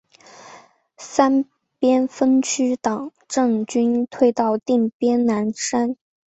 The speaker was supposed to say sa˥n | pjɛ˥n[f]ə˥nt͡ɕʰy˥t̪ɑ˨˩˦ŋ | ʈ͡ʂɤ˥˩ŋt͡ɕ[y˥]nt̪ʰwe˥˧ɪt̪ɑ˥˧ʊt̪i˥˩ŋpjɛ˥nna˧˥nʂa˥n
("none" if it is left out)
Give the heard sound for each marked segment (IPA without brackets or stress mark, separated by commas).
f, y˥